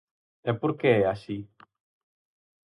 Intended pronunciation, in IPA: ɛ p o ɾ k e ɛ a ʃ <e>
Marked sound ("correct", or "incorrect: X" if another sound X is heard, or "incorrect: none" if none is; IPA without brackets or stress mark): incorrect: i